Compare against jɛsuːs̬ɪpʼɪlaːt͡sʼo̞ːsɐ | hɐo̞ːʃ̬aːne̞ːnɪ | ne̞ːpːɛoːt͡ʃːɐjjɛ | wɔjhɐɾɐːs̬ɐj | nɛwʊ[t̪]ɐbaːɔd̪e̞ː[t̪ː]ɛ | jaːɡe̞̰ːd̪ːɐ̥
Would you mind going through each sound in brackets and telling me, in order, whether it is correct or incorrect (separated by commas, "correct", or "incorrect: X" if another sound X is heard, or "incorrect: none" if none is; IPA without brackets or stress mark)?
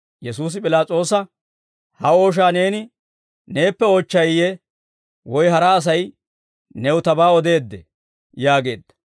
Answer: correct, incorrect: d̪ː